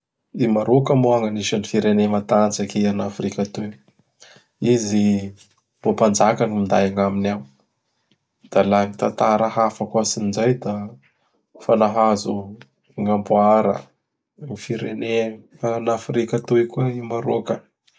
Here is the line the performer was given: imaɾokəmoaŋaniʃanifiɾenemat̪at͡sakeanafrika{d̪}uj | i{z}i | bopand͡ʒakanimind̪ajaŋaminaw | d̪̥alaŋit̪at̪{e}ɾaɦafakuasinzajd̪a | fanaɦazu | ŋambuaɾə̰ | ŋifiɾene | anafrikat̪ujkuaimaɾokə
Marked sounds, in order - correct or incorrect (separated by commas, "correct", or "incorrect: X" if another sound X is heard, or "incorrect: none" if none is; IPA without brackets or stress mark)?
incorrect: t̪, correct, incorrect: a